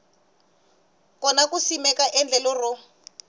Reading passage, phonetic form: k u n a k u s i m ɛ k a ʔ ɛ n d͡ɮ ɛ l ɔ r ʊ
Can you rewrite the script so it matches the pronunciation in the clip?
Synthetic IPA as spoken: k ɔ n a k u s i m ɛ k a ʔ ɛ n d͡ɮ ɛ l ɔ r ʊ